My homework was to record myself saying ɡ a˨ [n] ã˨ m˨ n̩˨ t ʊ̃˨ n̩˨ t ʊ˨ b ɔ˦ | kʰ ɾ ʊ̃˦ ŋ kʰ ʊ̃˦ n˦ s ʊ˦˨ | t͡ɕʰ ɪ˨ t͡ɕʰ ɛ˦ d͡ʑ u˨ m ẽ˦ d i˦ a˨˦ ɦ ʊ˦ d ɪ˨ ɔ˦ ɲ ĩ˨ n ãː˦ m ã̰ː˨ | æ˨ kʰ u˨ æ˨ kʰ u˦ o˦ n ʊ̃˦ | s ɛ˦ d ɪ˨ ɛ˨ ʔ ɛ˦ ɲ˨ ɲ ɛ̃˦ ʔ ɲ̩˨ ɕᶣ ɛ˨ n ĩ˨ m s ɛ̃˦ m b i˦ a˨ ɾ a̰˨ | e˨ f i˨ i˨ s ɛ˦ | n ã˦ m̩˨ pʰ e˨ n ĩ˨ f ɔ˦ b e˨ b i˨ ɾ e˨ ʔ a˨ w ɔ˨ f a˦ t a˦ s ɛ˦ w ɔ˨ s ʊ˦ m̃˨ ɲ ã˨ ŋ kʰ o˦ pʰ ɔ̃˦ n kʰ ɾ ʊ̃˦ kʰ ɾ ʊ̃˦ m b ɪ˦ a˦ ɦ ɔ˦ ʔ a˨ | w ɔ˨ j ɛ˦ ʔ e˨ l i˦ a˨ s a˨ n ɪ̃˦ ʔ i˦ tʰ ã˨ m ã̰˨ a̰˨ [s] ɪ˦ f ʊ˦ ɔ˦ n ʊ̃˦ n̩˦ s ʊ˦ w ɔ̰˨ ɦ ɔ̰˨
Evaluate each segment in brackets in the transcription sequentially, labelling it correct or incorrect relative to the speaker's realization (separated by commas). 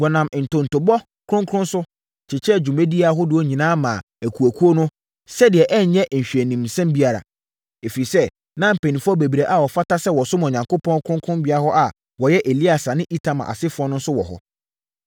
correct, correct